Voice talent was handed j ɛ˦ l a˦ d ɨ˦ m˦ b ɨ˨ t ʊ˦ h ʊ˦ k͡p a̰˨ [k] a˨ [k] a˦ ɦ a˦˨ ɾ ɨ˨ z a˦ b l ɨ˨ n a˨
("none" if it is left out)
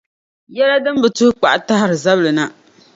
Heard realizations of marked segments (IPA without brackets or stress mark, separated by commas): ʔ, t